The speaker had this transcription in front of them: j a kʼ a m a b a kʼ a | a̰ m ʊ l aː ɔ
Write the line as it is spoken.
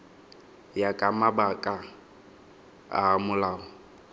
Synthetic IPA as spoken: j a kʼ a m a b a kʼ a | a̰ m ʊ l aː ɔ